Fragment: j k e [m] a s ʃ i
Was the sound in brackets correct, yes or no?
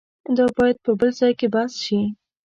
no